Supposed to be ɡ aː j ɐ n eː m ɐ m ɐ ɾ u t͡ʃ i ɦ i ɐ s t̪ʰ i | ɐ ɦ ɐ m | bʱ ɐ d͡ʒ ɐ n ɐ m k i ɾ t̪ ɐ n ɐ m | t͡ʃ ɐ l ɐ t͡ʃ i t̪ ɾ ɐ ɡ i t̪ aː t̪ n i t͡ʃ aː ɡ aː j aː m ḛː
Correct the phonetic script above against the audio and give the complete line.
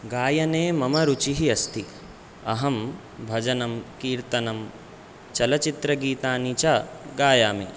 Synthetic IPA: ɡ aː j ɐ n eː m ɐ m ɐ ɾ u t͡ʃ i ɦ i ɐ s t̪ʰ i | ɐ ɦ ɐ m | bʱ ɐ d͡ʒ ɐ n ɐ m k iː ɾ t̪ ɐ n ɐ m | t͡ʃ ɐ l ɐ t͡ʃ i t̪ ɾ ɐ ɡ iː t̪ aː n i t͡ʃ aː ɡ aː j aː m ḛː

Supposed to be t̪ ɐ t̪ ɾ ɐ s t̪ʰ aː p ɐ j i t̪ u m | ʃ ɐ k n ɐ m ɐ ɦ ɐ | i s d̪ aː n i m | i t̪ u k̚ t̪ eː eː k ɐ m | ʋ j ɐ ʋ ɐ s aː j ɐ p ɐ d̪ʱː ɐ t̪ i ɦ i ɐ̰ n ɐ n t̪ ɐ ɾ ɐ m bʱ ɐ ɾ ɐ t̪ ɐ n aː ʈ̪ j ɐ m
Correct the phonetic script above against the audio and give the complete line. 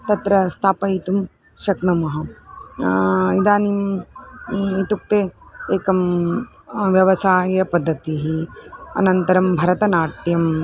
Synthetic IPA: t̪ ɐ t̪ ɾ ɐ s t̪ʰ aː p ɐ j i t̪ u m | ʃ ɐ k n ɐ m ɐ ɦ ɐ | i d̪ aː n i m | i t̪ u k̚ t̪ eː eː k ɐ m | ʋ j ɐ ʋ ɐ s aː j ɐ p ɐ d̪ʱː ɐ t̪ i ɦ i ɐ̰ n ɐ n t̪ ɐ ɾ ɐ m bʱ ɐ ɾ ɐ t̪ ɐ n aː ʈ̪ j ɐ m

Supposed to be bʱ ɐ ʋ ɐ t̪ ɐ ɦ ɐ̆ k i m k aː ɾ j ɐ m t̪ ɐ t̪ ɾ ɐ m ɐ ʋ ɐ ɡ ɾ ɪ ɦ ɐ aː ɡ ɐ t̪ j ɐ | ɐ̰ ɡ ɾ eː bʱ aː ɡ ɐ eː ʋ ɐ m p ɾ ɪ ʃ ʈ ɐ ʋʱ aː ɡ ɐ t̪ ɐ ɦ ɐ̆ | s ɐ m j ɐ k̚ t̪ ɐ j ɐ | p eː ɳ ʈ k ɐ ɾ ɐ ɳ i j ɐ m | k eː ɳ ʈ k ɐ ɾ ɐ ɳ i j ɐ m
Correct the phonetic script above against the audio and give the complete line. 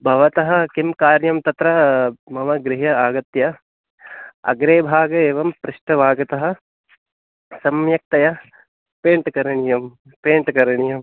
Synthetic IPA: bʱ ɐ ʋ ɐ t̪ ɐ ɦ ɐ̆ k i m k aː ɾ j ɐ m t̪ ɐ t̪ ɾ ɐ m ɐ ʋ ɐ ɡ ɾ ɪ ɦ ɐ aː ɡ ɐ t̪ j ɐ | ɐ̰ ɡ ɾ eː bʱ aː ɡ ɐ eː ʋ ɐ m p ɾ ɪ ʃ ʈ ɐ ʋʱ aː ɡ ɐ t̪ ɐ ɦ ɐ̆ | s ɐ m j ɐ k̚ t̪ ɐ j ɐ | p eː ɳ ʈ k ɐ ɾ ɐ ɳ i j ɐ m | p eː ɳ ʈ k ɐ ɾ ɐ ɳ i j ɐ m

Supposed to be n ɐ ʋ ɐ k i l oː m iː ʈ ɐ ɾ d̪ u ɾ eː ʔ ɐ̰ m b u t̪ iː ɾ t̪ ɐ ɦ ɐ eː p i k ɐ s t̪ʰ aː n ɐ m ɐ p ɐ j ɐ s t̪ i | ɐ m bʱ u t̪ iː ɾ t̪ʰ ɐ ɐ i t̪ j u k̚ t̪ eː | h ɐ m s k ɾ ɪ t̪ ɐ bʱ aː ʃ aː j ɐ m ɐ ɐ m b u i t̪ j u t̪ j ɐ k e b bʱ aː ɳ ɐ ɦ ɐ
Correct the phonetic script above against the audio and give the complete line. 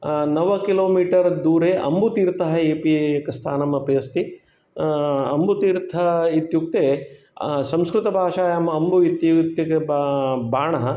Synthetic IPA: n ɐ ʋ ɐ k i l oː m iː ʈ ɐ ɾ d̪ uː ɾ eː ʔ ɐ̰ m b u t̪ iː ɾ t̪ ɐ ɦ ɐ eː p i k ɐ s t̪ʰ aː n ɐ m ɐ p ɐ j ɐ s t̪ i | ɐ m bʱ u t̪ iː ɾ t̪ʰ ɐ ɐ i t̪ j u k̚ t̪ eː | s ɐ m s k ɾ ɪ t̪ ɐ bʱ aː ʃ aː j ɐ m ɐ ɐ m b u i t̪ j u t̪ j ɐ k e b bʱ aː ɳ ɐ ɦ ɐ

